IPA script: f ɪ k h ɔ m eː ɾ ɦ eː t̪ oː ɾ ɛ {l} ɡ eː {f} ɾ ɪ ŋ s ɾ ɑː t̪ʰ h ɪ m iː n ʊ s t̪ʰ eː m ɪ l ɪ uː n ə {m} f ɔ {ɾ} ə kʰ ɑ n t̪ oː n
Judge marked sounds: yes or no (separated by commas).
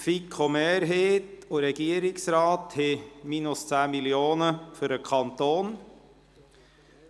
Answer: no, no, no, yes